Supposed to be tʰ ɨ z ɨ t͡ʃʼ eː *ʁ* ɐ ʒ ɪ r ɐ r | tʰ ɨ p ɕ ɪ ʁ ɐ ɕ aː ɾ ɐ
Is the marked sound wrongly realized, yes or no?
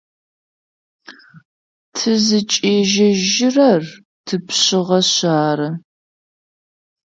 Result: yes